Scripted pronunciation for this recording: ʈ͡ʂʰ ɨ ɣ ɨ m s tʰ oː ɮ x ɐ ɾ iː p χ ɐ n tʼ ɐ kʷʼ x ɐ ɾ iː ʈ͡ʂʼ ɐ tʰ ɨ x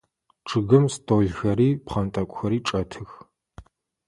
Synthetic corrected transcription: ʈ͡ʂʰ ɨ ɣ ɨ m s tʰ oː ɮ x ɐ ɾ iː p χ ɐ n tʼ ɐ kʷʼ x ɐ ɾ iː ʈ͡ʂʼ ɐ tʰ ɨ x

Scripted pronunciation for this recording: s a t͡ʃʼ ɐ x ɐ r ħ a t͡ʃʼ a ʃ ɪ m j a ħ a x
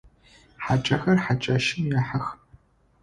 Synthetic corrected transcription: ħ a t͡ʃʼ ɐ x ɐ r ħ a t͡ʃʼ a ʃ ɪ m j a ħ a x

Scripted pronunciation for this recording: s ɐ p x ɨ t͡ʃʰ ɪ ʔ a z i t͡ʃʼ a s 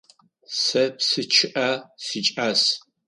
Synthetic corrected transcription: s ɐ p s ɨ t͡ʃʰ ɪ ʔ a s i t͡ʃʼ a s

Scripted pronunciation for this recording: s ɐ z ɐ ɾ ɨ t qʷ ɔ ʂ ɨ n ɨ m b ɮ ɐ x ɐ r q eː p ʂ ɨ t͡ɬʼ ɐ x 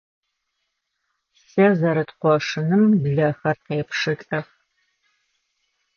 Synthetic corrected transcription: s ɐ z ɐ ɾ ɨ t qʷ ɔ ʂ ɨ n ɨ m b ɮ ɐ x ɐ r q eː p ʂ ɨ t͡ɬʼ ɐ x

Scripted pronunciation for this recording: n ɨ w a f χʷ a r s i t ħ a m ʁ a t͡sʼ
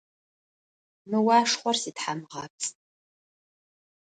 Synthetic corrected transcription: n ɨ w a ʂ χʷ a r s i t ħ a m ʁ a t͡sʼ

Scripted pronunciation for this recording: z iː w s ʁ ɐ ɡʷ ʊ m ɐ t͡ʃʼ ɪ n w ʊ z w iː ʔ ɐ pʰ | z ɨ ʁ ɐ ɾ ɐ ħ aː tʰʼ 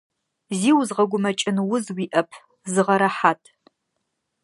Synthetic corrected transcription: z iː w z ʁ ɐ ɡʷ ʊ m ɐ t͡ʃʼ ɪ n w ʊ z w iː ʔ ɐ pʰ | z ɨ ʁ ɐ ɾ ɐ ħ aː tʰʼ

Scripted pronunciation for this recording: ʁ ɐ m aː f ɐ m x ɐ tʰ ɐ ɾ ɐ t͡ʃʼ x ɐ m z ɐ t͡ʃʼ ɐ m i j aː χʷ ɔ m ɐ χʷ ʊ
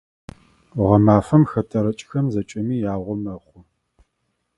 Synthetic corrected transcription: ʁ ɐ m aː f ɐ m x ɐ tʰ ɐ ɾ ɐ t͡ʃʼ x ɐ m z ɐ t͡ʃʼ ɐ m iː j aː ʁʷ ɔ m ɐ χʷ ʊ

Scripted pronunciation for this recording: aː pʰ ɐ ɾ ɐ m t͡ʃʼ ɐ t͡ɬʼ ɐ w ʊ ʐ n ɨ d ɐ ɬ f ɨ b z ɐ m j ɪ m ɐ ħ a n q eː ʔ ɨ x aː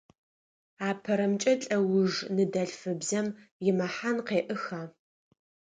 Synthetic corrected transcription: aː pʰ ɐ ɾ ɐ m t͡ʃʼ ɐ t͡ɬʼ ɐ w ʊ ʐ n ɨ d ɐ ɬ f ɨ b z ɐ m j ɪ m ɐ ħ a n q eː ʔ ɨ x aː

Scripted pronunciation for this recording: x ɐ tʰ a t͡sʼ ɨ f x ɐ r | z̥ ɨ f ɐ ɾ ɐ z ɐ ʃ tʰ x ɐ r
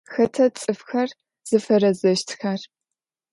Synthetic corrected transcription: x ɐ tʰ ɐ t͡sʼ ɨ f x ɐ r | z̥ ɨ f ɐ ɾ ɐ z ɐ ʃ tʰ x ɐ r

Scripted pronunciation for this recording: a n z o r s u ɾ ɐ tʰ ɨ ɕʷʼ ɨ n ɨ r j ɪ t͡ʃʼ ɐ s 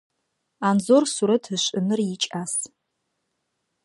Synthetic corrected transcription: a n z o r s u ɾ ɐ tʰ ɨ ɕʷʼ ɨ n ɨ r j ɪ t͡ʃʼ a s

